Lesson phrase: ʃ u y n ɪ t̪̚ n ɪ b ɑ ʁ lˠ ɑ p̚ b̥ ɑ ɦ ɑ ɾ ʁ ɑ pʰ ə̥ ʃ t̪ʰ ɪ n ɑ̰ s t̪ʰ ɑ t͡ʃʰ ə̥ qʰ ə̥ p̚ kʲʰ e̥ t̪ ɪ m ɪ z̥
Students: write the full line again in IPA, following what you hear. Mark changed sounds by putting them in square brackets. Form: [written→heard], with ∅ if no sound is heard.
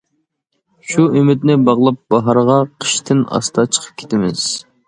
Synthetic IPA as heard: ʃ u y [n→m] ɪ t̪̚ n ɪ b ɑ ʁ lˠ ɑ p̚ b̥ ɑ ɦ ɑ ɾ ʁ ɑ [pʰ→qʰ] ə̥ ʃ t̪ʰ ɪ n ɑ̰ s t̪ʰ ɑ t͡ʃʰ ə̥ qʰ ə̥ p̚ kʲʰ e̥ t̪ ɪ m ɪ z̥